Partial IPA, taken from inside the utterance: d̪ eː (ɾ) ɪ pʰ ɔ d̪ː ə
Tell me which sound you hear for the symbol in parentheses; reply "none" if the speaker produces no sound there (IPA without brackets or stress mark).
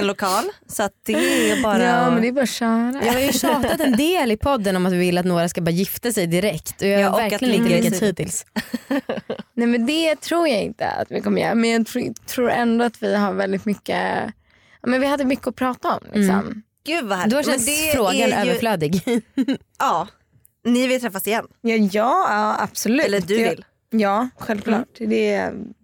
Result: l